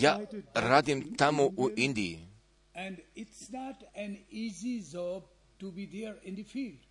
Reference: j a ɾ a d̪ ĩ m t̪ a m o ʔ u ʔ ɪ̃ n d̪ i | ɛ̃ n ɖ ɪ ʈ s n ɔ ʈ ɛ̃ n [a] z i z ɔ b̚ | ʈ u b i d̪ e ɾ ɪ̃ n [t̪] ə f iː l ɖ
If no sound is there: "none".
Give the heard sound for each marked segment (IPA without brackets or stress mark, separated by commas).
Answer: i, d̪